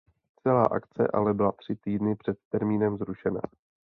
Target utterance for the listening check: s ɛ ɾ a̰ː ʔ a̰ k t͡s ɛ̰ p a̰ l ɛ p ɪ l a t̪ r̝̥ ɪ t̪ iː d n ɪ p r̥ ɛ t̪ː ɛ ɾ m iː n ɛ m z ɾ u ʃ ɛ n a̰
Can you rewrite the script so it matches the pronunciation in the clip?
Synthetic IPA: t͡s ɛ l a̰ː ʔ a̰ k t͡s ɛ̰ ʔ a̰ l ɛ b ɪ l a t̪ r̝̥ ɪ t̪ iː d n ɪ p r̥ ɛ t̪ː ɛ ɾ m iː n ɛ m z ɾ u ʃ ɛ n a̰